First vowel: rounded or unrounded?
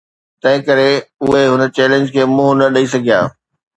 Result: unrounded